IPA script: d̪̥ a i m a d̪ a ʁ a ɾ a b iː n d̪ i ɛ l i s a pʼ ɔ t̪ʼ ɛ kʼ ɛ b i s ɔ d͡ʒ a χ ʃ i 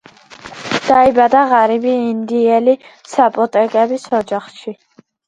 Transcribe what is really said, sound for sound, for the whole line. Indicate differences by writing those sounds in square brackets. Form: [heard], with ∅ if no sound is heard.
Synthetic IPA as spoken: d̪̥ a i [b] a d̪ a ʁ a ɾ [i] b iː n d̪ i ɛ l i s a pʼ ɔ t̪ʼ ɛ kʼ ɛ b i s ɔ d͡ʒ a χ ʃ i